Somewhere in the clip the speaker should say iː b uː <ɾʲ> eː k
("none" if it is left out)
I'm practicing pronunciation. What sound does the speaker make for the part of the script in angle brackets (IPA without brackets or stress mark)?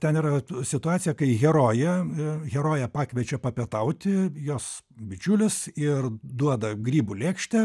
lʲ